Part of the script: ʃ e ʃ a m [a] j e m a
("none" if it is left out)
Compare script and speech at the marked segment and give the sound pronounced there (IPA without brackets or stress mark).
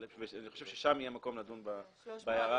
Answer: i